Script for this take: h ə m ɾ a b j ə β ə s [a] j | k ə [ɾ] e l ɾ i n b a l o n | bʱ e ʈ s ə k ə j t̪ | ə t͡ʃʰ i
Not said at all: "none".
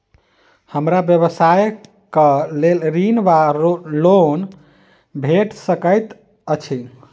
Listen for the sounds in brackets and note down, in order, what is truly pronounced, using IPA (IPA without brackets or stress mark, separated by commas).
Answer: a, l